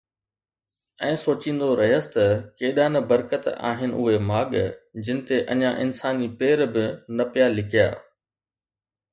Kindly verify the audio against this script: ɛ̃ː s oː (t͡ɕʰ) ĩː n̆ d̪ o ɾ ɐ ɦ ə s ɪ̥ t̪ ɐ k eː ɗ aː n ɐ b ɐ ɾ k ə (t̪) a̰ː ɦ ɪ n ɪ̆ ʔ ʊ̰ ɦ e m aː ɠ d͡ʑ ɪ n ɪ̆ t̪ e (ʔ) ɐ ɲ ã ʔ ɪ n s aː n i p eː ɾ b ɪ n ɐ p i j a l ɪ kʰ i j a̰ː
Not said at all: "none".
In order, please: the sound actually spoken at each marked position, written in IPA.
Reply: t͡ɕ, t̪, ʔ

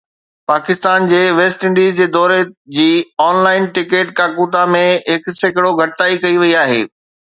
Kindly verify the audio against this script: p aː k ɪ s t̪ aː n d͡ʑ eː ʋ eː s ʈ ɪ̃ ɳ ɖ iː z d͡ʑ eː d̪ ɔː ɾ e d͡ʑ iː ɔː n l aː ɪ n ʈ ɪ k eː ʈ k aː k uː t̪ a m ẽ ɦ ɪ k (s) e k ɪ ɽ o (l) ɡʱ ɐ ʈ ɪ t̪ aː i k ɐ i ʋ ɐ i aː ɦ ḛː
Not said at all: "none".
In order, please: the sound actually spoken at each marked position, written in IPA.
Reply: s, none

